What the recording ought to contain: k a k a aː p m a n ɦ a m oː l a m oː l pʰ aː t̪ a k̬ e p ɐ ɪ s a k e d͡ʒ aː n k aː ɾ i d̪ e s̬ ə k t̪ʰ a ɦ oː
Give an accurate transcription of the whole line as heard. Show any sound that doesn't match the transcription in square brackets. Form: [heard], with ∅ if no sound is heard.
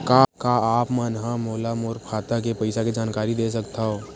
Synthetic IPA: k a k a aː p m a n ɦ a m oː l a m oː [ɾ] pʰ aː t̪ a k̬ e p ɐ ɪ s a k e d͡ʒ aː n k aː ɾ i d̪ e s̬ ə k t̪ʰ a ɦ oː